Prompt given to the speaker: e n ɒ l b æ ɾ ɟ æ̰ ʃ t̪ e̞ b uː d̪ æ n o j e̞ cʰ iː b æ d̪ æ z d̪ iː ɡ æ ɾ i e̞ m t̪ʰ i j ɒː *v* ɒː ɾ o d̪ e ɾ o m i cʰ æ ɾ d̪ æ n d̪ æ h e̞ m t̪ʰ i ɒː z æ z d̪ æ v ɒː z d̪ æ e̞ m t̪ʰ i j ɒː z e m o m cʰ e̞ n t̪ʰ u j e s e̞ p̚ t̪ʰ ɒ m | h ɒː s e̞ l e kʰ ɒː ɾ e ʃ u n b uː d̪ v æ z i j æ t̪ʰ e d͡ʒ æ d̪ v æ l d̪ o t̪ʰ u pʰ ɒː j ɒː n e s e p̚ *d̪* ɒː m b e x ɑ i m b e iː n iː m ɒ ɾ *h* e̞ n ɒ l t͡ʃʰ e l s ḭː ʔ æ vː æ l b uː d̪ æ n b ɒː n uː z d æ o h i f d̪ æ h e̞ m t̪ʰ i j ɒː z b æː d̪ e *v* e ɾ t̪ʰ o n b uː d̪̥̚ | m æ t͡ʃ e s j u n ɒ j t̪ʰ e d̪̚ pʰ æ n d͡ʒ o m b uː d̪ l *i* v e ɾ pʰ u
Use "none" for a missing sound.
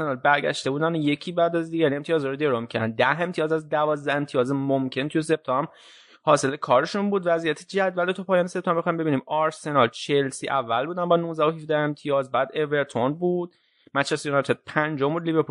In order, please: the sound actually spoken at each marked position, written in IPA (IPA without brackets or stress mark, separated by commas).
z, t̪, s, v, i